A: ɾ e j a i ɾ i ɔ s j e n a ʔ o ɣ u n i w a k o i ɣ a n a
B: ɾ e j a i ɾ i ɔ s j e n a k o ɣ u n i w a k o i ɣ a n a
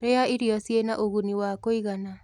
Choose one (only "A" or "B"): A